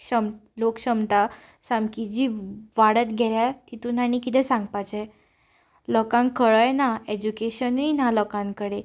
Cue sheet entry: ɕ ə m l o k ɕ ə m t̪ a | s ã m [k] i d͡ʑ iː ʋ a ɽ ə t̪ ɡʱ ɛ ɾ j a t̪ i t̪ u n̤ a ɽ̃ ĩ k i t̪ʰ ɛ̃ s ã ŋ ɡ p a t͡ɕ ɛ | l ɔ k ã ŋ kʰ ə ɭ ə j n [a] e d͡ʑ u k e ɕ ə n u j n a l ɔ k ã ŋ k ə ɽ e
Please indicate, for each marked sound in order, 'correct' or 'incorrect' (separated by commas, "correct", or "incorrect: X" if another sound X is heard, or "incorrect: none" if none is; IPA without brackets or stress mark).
correct, correct